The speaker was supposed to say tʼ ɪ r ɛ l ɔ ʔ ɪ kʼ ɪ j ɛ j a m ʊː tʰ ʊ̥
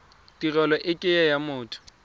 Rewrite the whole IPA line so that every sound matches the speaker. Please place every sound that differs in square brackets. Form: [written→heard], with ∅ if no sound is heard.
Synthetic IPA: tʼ [ɪ→i] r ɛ l ɔ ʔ ɪ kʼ ɪ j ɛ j a m ʊː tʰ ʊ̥